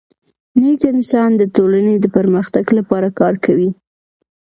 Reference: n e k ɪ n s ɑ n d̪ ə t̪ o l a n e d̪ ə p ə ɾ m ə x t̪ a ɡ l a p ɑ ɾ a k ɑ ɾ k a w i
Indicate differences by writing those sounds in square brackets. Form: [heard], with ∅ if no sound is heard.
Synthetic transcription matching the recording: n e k ɪ n s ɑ n d̪ ə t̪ o l a n e d̪ ə p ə ɾ m ə x t̪ a ɡ l a p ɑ ɾ a k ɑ ɾ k a w i